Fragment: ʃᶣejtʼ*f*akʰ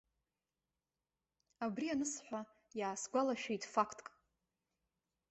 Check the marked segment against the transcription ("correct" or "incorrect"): correct